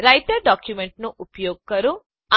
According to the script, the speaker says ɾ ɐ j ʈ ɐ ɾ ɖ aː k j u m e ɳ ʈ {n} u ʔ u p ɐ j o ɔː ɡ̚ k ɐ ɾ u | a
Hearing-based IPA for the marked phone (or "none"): n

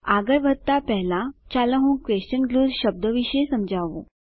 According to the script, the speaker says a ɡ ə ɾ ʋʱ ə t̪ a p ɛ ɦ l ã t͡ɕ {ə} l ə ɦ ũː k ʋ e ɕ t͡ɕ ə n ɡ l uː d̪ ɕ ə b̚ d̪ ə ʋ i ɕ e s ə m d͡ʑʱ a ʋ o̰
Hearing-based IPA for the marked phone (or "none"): a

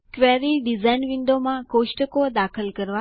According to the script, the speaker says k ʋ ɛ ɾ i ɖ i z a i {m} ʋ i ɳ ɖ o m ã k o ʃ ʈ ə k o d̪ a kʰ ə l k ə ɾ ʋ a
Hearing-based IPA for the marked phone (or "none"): n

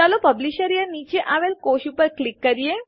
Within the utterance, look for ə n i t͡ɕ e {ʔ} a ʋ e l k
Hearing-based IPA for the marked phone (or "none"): ʔ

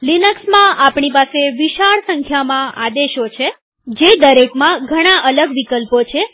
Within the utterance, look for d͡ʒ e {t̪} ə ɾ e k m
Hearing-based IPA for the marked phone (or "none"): d̪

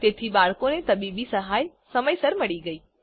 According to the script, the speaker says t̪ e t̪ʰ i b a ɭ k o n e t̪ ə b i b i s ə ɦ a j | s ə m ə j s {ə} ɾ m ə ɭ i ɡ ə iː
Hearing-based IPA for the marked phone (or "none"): ə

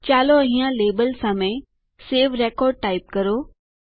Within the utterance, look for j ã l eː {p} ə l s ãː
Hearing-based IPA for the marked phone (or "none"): b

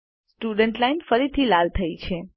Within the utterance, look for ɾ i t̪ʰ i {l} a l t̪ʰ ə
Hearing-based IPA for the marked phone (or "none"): l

